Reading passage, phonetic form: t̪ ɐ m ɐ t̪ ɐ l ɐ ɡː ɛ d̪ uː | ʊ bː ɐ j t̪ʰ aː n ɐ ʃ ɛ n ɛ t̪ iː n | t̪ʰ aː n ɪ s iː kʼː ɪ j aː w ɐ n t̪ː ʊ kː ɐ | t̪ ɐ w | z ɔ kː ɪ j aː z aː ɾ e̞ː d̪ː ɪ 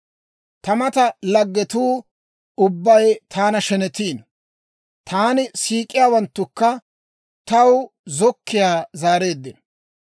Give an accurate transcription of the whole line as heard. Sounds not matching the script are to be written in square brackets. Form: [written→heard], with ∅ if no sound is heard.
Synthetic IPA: t̪ ɐ m ɐ t̪ ɐ l ɐ ɡː ɛ [d̪→t̪] uː | ʊ bː ɐ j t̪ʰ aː n ɐ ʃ ɛ n ɛ t̪ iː n | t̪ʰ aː n ɪ s iː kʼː ɪ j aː w ɐ n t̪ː ʊ kː ɐ | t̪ ɐ w | z ɔ kː ɪ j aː z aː ɾ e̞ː d̪ː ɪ